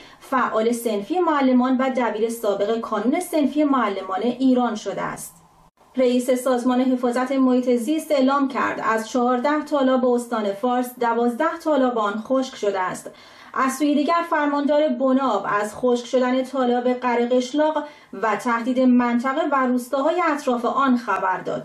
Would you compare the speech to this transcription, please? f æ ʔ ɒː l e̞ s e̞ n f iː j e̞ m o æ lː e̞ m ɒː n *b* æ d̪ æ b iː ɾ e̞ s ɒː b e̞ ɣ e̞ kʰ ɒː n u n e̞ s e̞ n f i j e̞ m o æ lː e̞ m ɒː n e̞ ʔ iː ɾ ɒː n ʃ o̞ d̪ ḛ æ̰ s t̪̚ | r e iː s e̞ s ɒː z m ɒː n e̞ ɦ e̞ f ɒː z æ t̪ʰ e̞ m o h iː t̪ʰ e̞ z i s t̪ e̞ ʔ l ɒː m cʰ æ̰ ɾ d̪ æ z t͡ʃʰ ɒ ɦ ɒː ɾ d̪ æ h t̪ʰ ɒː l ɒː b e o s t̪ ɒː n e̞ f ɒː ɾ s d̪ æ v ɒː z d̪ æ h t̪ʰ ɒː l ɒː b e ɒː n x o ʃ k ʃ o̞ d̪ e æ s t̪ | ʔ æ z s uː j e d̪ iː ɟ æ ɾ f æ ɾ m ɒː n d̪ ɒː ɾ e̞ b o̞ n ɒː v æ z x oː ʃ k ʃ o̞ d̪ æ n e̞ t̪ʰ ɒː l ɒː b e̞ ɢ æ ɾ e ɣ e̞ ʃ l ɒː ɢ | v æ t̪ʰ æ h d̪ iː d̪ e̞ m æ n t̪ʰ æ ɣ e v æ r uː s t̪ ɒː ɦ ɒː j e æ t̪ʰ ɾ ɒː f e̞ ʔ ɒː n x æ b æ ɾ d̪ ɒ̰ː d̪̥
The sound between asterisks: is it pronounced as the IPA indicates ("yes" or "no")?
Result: no